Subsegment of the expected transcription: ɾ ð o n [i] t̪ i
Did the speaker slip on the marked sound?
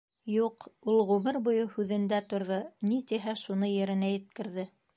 no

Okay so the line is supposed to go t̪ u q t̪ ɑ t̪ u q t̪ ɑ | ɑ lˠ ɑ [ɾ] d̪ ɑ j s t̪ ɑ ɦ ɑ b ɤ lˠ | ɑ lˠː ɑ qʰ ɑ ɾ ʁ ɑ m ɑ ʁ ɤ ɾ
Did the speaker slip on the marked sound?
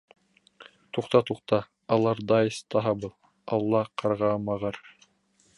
no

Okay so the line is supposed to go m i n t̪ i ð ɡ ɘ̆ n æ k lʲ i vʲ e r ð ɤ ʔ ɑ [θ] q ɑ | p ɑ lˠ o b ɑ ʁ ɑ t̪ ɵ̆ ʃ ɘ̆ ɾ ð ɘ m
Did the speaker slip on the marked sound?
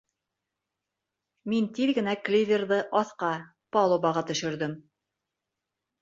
no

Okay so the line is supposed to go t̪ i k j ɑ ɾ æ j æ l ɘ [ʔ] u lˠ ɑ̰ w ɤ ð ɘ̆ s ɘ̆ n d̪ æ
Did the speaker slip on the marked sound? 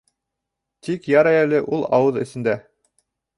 no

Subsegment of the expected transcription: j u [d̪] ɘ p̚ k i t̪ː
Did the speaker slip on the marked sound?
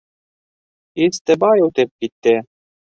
yes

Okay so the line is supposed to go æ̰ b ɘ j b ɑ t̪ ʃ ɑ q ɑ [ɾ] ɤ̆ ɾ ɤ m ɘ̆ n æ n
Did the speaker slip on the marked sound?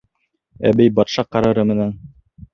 no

